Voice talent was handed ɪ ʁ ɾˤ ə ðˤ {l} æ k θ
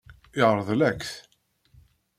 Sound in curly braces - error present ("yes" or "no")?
no